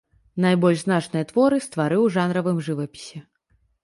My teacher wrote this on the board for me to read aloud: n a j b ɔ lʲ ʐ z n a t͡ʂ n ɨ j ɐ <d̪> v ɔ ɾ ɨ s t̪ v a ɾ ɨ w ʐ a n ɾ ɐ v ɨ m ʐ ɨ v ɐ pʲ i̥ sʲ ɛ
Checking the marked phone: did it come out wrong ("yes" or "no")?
yes